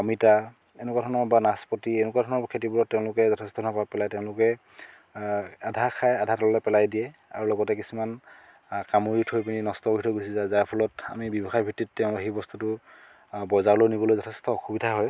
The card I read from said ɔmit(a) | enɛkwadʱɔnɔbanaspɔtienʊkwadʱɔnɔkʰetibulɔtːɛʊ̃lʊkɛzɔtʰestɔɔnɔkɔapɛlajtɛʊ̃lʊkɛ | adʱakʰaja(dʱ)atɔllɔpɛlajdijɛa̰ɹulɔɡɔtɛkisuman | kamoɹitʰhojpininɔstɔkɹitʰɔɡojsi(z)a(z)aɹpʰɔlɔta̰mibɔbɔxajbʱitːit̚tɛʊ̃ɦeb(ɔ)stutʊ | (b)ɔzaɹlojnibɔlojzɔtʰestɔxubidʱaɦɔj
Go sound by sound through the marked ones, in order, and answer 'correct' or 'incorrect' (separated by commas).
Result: correct, correct, correct, correct, correct, correct